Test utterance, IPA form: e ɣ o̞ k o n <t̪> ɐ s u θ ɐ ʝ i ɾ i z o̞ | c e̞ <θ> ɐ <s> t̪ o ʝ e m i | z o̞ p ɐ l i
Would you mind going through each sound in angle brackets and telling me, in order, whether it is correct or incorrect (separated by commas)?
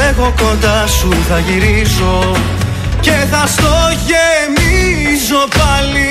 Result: incorrect, correct, correct